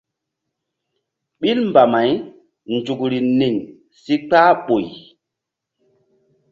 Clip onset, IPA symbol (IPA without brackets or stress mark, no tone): ɓ